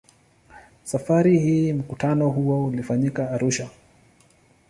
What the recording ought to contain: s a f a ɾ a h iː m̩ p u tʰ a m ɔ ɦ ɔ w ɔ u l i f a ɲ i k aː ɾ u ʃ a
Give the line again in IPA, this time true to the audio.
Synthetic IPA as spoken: s a f a ɾ i h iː m̩ k u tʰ a n ɔ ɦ u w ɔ u l i f a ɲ i k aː ɾ u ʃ a